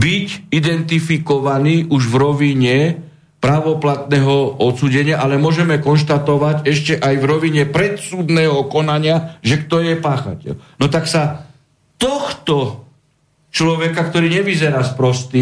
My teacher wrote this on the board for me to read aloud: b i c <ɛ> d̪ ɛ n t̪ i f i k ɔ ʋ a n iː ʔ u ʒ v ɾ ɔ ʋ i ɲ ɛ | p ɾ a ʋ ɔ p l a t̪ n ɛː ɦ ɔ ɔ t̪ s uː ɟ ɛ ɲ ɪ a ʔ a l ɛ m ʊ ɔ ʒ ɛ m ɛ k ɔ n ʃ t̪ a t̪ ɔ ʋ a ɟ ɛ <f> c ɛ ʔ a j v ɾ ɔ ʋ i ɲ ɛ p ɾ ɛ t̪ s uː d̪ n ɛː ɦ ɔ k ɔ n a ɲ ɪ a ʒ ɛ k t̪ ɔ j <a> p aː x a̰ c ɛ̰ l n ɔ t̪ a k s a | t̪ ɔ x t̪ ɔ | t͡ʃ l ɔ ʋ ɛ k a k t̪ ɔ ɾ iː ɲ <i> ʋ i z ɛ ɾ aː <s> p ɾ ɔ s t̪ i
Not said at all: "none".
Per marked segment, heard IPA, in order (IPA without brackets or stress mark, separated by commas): i, ʃ, ɛ, ɛ, s